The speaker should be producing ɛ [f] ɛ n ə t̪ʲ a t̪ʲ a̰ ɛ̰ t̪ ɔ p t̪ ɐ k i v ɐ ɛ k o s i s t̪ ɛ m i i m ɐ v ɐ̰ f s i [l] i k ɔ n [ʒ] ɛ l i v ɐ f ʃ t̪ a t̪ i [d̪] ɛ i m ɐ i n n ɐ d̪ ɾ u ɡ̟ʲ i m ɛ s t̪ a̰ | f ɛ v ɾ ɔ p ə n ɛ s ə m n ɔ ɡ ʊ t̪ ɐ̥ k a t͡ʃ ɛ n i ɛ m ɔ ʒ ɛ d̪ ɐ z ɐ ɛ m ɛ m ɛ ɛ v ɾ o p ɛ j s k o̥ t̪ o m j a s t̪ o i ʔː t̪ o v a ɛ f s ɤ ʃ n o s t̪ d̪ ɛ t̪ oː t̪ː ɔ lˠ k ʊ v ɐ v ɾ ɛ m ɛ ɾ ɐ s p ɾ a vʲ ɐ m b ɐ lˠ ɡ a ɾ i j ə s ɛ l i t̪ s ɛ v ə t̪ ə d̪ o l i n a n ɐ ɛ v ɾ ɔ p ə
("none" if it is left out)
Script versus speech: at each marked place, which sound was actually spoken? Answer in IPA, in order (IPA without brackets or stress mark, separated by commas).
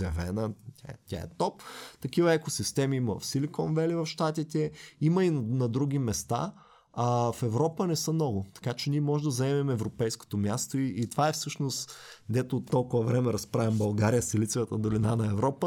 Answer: v, l, v, t̪